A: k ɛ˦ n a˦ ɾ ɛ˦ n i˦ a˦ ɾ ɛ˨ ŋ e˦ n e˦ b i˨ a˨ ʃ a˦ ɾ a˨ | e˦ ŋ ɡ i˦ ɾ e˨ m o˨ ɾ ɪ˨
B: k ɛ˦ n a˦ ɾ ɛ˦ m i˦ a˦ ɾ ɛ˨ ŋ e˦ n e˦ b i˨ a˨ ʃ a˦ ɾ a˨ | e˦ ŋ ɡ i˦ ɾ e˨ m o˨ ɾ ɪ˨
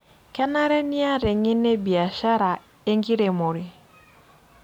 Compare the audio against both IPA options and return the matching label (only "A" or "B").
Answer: A